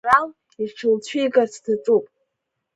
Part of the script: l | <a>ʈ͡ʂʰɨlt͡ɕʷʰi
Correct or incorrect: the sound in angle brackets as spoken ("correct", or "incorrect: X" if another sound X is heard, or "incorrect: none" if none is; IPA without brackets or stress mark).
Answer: incorrect: i